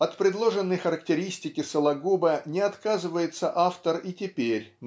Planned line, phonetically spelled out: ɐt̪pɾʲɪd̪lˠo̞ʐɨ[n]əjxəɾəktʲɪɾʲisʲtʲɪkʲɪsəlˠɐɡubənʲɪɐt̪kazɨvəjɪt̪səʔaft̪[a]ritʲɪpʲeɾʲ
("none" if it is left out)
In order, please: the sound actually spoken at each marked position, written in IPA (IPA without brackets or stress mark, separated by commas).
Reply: nː, ə